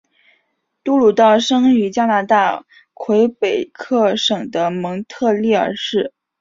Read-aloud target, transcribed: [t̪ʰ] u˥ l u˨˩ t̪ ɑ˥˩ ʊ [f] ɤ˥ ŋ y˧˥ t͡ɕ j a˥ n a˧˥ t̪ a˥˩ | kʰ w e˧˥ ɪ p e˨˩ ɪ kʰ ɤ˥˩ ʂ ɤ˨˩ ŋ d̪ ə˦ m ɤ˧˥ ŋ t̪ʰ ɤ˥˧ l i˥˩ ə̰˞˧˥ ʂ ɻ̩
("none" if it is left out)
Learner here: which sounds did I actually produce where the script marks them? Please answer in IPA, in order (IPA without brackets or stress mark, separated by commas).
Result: t̪, ʂ